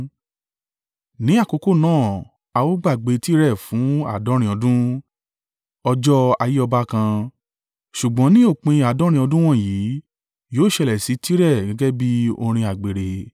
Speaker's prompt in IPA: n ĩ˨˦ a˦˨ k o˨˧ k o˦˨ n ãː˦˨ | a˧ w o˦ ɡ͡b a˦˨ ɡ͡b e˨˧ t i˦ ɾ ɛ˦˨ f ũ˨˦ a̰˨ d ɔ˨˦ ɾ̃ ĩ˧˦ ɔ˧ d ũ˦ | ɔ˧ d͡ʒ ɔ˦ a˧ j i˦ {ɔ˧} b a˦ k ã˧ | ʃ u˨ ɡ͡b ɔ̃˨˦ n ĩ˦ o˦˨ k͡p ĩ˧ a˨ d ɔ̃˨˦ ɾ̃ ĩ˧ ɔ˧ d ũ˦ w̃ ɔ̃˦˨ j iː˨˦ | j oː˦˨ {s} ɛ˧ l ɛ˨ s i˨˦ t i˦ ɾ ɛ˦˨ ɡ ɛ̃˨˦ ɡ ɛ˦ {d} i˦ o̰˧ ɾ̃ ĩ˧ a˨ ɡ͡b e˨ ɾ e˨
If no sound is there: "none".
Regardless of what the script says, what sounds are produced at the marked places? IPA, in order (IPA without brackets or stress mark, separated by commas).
ɔ˧, ʃ, b